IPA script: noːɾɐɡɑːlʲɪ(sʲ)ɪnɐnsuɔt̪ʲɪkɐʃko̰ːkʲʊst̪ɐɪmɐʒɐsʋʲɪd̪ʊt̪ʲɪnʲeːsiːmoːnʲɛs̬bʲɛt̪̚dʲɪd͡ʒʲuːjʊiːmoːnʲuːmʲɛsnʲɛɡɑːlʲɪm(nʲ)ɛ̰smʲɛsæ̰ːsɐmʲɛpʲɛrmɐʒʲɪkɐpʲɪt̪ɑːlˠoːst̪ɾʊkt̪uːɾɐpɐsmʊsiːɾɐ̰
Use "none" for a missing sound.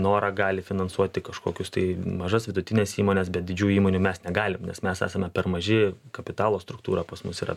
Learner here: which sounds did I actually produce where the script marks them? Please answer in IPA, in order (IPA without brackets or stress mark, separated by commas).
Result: fʲ, nʲ